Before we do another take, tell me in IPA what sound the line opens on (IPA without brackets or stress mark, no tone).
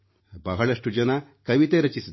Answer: b